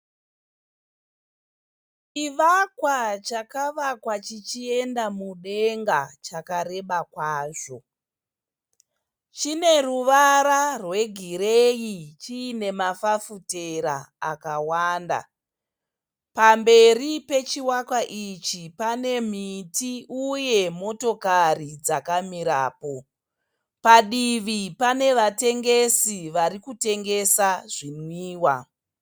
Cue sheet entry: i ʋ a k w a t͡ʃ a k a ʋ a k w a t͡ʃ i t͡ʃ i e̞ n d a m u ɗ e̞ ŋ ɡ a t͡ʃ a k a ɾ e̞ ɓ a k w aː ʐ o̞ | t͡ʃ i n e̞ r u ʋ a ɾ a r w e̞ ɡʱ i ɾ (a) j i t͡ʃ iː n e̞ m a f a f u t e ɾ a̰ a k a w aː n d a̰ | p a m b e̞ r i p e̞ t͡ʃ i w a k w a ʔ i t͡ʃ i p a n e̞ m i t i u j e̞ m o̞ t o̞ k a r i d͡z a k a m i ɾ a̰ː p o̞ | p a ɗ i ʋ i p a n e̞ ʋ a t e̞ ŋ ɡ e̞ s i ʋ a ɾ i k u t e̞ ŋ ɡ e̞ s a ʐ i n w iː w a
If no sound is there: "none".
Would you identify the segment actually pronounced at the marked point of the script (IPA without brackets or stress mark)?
e